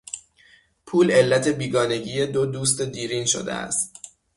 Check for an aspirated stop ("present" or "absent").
present